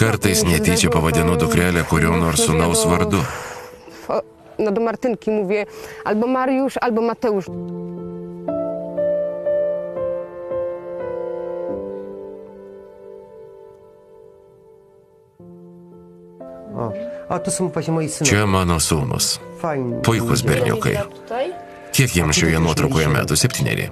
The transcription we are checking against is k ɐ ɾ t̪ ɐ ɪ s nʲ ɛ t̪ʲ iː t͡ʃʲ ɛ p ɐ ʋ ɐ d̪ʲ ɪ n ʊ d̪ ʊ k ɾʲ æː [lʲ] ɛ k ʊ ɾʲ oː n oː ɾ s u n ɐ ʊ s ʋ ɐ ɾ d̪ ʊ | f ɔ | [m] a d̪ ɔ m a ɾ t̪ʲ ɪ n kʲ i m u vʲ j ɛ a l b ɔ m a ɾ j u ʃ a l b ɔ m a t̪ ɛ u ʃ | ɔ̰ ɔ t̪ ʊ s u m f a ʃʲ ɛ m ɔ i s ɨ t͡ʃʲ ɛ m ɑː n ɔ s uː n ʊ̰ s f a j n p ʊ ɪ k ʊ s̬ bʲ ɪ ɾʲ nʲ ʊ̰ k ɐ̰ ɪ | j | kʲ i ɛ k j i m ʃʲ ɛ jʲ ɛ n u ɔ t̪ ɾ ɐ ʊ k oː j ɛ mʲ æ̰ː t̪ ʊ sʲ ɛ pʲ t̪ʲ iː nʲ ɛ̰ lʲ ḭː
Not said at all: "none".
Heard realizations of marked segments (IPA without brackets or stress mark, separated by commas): lʲ, n